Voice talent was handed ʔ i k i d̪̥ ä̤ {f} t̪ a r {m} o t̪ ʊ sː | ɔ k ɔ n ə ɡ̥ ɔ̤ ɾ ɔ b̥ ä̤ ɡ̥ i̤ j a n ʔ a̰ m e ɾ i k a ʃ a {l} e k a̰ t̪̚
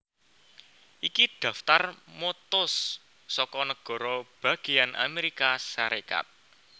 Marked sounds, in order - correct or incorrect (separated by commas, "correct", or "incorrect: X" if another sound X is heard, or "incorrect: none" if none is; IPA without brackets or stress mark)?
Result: correct, correct, incorrect: ɾ